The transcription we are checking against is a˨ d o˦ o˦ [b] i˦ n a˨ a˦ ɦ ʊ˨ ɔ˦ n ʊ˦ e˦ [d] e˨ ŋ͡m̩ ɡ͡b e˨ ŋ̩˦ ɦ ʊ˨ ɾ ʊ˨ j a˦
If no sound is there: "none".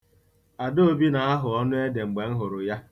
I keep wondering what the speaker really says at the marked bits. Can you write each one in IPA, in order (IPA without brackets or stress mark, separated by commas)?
b, d